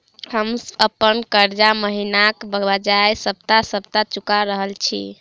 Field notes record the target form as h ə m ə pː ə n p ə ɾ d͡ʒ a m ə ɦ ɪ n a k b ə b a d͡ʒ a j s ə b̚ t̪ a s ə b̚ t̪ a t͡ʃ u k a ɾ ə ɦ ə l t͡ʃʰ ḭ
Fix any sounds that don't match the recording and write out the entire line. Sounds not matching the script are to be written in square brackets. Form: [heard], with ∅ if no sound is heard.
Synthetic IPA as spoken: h ə m ə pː ə n [k] ə ɾ d͡ʒ a m ə ɦ [i] n a k b ə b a d͡ʒ a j s ə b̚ t̪ a s ə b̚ t̪ a t͡ʃ u k a ɾ ə ɦ ə l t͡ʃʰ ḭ